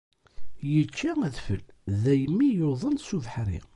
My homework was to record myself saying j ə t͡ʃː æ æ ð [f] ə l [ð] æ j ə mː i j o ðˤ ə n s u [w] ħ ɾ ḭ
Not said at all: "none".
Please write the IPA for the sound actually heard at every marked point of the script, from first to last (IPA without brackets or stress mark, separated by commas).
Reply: f, ð, v